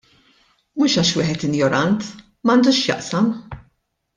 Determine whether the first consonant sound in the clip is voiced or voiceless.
voiced